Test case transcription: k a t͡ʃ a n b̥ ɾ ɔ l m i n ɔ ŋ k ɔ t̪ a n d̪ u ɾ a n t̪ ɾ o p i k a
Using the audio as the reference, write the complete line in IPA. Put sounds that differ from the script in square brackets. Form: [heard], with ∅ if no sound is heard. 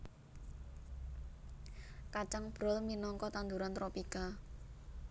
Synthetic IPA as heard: k a t͡ʃ a [ŋ] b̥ ɾ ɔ l m i n ɔ ŋ k ɔ t̪ a n d̪ u ɾ a n t̪ ɾ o p i k a